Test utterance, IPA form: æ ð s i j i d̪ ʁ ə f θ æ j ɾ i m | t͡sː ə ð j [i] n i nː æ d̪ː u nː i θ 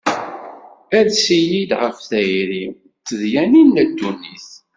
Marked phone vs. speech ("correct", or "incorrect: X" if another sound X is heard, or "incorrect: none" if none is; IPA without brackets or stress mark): incorrect: æ